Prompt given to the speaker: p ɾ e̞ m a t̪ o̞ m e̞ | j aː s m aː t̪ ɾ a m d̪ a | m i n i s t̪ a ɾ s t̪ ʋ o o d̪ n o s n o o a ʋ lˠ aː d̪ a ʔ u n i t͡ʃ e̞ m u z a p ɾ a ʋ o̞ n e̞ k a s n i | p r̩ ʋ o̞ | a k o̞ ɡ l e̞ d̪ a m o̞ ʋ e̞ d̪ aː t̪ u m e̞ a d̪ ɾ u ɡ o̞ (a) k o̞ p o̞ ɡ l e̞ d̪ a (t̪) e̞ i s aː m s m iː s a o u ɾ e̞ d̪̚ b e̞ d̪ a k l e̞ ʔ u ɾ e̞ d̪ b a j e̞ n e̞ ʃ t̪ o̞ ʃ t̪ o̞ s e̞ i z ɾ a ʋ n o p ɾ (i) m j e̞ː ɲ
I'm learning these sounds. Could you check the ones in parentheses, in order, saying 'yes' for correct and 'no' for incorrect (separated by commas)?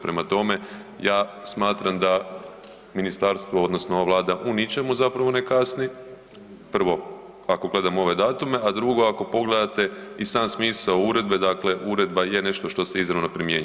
yes, yes, yes